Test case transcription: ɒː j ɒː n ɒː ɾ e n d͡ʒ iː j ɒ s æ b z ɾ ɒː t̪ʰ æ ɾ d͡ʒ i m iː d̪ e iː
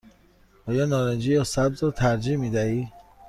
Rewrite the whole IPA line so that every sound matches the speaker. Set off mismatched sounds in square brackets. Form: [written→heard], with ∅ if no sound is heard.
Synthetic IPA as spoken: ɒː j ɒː n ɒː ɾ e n d͡ʒ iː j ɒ s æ b z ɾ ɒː t̪ʰ æ ɾ d͡ʒ i m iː d̪ [e→æ] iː